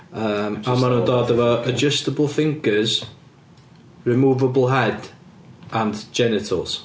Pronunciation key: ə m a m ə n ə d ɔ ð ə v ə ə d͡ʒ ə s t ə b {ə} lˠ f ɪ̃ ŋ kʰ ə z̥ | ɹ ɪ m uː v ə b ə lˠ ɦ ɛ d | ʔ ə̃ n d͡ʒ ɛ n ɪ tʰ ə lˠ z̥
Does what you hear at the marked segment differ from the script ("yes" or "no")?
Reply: no